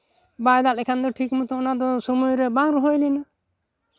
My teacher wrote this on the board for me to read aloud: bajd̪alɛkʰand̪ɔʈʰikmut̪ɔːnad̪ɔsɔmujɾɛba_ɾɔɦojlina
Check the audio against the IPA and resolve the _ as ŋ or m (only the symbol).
ŋ